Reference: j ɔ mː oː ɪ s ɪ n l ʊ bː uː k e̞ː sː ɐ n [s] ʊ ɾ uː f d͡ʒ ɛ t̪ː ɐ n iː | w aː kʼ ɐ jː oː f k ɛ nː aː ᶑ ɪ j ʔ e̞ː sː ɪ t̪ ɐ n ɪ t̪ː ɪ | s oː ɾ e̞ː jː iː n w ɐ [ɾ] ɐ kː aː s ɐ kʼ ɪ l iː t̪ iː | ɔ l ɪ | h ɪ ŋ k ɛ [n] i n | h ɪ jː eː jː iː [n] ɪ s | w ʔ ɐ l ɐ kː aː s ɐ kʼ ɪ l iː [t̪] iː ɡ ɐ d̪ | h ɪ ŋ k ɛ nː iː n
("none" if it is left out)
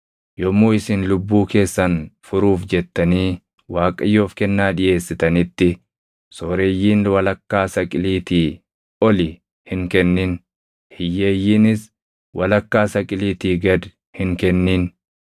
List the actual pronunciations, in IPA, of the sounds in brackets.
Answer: f, l, nː, n, t̪

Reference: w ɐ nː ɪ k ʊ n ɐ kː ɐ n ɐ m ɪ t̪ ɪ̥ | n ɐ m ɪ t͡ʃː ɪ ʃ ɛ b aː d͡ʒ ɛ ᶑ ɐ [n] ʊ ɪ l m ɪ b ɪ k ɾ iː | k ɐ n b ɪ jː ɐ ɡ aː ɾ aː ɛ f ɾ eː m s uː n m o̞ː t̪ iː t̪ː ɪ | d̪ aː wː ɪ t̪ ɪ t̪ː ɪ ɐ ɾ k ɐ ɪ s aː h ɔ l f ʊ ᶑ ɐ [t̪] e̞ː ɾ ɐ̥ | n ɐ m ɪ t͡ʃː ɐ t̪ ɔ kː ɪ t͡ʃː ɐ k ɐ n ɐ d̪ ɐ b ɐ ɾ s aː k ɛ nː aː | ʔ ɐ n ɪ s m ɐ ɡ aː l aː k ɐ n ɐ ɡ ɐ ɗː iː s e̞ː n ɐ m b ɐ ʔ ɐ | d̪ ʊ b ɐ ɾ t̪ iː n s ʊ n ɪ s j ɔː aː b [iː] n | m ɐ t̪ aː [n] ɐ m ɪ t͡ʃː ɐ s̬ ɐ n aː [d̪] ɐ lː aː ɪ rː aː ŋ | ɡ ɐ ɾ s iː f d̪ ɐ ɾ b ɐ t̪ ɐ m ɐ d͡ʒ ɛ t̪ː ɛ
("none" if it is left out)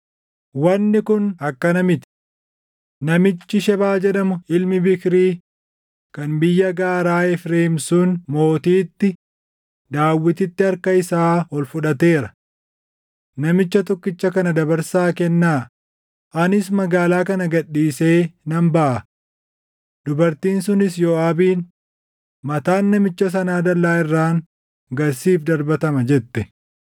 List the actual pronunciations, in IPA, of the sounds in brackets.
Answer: m, t̪, iː, nː, d̪

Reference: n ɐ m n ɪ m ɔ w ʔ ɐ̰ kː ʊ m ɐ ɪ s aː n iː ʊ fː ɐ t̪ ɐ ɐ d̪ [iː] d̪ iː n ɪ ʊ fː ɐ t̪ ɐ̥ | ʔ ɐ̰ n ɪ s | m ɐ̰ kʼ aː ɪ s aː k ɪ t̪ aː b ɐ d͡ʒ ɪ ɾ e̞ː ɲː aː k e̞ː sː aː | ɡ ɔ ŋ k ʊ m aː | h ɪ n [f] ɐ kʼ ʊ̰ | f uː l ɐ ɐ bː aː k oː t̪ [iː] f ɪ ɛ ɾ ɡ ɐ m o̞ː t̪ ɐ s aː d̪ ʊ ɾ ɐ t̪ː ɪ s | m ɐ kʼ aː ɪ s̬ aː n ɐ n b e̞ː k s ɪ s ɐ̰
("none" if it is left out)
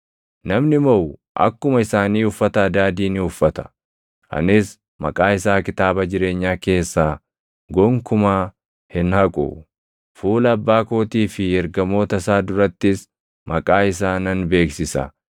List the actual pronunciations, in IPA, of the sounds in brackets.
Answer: aː, h, iː

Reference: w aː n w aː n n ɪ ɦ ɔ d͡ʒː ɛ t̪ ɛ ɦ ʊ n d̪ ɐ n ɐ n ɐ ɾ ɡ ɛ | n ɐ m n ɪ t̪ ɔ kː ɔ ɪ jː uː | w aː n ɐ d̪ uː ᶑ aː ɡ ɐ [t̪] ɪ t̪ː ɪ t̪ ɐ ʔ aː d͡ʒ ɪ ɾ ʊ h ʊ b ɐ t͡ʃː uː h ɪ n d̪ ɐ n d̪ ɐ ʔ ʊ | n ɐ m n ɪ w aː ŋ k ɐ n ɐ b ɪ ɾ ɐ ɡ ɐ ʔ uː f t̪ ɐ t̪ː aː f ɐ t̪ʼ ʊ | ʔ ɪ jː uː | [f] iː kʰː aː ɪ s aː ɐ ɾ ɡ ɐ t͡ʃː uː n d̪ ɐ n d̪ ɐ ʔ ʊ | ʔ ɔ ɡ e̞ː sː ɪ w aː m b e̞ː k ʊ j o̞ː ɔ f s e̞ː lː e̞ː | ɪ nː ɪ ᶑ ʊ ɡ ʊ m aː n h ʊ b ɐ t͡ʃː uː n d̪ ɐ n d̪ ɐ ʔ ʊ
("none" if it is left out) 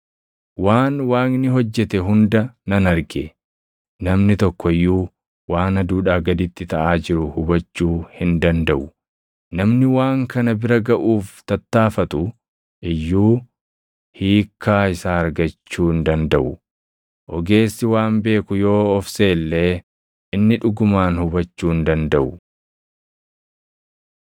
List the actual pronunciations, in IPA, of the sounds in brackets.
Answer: d̪, h

